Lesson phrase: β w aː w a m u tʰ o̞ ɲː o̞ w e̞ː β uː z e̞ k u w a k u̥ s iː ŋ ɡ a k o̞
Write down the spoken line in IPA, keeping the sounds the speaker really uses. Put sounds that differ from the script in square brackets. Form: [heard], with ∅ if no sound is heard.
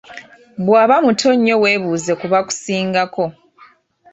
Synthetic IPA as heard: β w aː [β] a m u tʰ o̞ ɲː o̞ w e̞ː β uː z e̞ k u [β] a k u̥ s iː ŋ ɡ a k o̞